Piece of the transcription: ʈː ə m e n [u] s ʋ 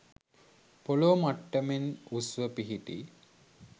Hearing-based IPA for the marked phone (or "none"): u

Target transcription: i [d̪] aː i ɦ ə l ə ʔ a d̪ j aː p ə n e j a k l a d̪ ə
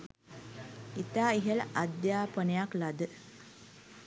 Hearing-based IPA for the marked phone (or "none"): t̪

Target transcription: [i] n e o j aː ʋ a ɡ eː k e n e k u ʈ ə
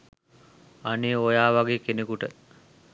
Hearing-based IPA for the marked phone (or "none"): a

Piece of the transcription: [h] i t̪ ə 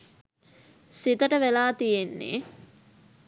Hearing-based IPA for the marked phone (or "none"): s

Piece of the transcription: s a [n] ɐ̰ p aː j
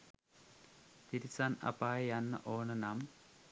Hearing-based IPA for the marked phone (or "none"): n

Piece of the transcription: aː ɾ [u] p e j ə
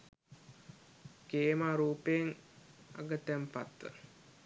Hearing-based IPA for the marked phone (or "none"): uː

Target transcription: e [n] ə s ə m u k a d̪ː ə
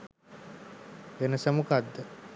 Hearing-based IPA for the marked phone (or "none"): n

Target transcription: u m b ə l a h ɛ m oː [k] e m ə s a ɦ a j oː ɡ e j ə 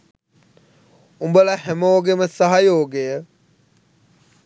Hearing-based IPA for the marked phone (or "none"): ɡ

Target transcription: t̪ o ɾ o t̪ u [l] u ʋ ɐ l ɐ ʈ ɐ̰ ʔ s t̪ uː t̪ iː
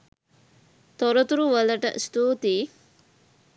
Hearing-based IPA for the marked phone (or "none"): ɾ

